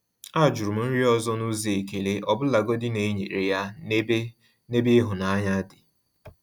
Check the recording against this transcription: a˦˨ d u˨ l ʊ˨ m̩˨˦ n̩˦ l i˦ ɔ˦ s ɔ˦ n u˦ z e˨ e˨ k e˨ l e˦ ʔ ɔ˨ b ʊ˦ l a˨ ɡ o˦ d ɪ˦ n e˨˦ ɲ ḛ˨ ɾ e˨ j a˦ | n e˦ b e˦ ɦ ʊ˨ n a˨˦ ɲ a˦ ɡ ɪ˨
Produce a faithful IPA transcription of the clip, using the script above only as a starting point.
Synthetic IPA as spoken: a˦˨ d͡ʒ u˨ ɾ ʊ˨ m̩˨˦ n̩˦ ɾ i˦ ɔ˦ z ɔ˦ n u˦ z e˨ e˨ k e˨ l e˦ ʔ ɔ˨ b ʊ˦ l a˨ ɡ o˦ d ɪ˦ n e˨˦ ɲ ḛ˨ ɾ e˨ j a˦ | n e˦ b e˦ ɦ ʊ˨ n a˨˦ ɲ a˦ d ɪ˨